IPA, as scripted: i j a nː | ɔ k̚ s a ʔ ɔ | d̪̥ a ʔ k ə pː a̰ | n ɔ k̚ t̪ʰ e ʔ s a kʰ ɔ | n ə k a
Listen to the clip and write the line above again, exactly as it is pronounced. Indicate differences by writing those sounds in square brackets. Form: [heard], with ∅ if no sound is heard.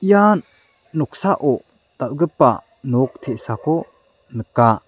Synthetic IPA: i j a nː | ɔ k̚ s a ʔ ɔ | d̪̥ a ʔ [ɡ] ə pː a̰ | n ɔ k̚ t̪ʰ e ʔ s a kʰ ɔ | n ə k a